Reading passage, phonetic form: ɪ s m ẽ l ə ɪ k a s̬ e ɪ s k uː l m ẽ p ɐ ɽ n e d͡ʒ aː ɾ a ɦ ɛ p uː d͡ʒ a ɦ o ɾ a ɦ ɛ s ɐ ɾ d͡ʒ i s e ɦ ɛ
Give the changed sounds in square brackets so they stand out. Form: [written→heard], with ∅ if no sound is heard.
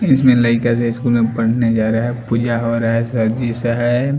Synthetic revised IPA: ɪ s m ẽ l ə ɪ k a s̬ e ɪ s k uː l m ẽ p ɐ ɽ n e d͡ʒ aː ɾ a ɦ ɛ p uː d͡ʒ a ɦ o ɾ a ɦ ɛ s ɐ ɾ d͡ʒ i s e ɦ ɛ